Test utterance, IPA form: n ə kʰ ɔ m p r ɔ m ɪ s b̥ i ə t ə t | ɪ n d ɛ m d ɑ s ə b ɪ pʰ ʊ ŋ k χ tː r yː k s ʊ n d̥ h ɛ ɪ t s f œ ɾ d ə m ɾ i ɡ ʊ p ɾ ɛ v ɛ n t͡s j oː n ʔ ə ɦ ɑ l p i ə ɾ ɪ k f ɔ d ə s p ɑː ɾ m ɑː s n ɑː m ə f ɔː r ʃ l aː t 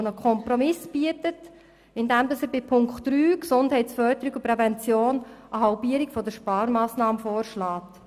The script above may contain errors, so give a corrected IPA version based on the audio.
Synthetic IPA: n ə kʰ ɔ m p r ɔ m ɪ s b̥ i ə t ə t | ɪ n d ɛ m d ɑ s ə b ɪ pʰ ʊ ŋ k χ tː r yː k s ʊ n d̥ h ɛ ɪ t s f œ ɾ d ə ɾ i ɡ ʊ p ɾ ɛ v ɛ n t͡s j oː n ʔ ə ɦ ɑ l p i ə ɾ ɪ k f ɔ d ə ʃ p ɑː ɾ m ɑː s n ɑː m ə f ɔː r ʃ l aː t